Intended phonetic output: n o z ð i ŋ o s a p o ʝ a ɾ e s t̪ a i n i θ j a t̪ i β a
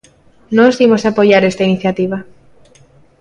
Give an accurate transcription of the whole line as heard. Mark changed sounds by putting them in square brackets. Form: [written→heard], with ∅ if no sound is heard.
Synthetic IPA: n o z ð i [ŋ→m] o s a p o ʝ a ɾ e s t̪ a i n i θ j a t̪ i β a